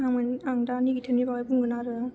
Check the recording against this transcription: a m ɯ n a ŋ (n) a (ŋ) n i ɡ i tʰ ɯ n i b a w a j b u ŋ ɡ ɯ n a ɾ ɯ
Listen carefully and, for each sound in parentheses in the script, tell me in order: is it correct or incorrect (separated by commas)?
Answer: incorrect, incorrect